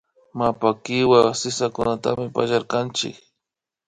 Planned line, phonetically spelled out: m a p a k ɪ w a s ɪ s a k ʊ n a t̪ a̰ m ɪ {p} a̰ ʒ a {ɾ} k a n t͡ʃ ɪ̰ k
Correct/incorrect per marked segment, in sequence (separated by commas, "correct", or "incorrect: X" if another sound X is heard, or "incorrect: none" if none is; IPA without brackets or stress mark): correct, correct